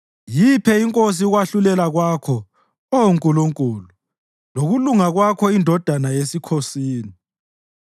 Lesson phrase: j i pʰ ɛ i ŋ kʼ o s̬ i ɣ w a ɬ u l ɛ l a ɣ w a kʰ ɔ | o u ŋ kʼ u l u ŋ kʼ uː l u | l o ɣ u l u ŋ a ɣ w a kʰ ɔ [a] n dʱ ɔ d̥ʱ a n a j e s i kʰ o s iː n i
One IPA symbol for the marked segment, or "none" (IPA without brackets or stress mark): i